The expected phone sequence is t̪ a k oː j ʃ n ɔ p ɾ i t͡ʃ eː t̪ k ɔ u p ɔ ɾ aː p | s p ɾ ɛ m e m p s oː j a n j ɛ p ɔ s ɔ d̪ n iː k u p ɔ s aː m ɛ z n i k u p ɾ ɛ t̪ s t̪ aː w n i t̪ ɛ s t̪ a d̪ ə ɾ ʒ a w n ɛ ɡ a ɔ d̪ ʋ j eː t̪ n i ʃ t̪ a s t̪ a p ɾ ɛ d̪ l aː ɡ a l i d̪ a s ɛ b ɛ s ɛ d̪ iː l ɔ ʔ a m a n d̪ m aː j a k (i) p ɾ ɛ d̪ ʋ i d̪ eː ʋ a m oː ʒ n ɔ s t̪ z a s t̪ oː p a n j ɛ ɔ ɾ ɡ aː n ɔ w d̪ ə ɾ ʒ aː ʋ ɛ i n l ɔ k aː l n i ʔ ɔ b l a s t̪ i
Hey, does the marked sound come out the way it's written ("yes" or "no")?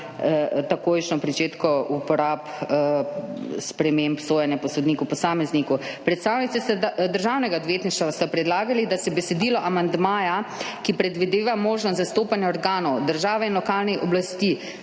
yes